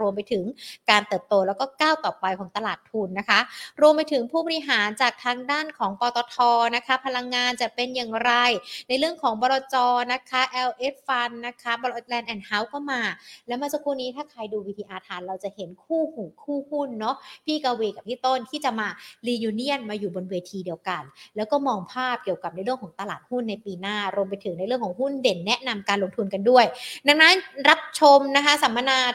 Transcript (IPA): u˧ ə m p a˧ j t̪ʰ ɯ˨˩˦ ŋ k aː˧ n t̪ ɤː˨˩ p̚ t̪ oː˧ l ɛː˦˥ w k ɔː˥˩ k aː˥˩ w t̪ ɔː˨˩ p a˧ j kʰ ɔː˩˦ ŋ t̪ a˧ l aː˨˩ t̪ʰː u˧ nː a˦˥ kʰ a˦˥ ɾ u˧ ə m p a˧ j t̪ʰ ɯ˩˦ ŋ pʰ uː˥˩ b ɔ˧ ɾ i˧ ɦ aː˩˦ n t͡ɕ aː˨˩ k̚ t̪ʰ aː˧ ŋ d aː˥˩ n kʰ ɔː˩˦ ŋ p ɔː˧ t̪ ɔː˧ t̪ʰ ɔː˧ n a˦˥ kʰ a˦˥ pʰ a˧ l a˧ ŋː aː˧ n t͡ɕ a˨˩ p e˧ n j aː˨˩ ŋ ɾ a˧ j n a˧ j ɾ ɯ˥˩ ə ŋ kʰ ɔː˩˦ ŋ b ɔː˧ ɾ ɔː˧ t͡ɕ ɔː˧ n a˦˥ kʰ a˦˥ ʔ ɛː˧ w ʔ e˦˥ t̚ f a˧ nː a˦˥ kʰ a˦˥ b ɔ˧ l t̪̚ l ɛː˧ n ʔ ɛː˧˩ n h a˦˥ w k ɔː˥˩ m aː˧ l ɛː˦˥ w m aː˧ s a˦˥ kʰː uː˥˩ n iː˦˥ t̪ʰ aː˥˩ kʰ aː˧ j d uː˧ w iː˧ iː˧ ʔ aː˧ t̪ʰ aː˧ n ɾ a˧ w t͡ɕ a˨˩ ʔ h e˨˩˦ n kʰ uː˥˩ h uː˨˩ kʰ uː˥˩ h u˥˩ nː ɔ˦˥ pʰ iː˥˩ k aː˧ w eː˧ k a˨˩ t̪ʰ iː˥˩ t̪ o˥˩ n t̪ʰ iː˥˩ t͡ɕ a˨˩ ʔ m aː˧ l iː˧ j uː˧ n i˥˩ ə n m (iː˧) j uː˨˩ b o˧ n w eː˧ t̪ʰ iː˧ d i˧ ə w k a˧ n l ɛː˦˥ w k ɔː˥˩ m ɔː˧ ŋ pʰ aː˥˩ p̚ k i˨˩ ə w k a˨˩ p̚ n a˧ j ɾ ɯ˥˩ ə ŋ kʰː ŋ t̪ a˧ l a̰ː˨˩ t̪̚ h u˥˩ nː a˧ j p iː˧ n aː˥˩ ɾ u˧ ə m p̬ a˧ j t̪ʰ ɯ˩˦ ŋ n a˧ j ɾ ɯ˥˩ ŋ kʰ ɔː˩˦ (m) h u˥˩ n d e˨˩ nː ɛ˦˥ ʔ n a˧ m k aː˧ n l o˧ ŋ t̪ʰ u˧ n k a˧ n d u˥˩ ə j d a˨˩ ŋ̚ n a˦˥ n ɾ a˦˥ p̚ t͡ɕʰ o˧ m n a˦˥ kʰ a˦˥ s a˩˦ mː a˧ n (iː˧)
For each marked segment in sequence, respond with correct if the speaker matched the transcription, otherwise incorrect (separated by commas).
incorrect, incorrect, incorrect